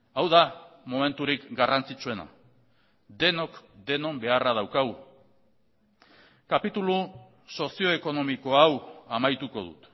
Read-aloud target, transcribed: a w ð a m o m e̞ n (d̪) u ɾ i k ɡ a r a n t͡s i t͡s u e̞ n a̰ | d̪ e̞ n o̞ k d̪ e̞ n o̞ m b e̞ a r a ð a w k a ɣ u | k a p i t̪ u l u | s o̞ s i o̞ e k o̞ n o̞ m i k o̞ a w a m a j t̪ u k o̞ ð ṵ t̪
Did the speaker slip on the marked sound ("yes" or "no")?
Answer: yes